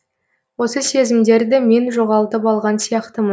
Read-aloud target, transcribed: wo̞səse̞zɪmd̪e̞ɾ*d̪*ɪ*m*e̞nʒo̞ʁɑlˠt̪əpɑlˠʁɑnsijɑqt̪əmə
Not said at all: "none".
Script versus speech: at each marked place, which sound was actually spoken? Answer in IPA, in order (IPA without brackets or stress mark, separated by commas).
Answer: d̪, m